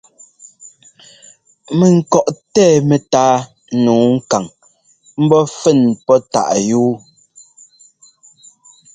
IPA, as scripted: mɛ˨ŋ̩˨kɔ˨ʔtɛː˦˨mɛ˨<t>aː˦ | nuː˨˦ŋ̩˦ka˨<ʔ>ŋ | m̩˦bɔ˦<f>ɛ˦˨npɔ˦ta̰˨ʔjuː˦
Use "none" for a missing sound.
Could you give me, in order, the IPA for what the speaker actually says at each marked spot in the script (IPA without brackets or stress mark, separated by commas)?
t, none, f